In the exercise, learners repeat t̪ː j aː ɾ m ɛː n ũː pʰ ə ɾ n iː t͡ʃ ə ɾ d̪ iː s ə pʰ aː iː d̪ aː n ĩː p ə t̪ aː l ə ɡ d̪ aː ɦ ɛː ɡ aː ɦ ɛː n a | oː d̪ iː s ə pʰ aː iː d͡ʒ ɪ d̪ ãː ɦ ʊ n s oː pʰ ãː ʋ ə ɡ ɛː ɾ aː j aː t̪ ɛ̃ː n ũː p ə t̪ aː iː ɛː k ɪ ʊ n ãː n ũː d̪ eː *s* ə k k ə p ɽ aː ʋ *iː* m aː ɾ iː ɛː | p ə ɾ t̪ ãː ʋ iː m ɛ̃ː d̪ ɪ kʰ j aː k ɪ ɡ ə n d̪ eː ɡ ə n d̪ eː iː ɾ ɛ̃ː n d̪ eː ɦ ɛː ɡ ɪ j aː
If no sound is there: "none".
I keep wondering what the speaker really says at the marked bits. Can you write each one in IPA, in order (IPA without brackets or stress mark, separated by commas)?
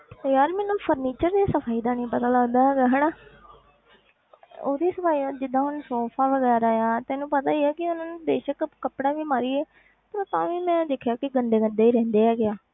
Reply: ʃ, iː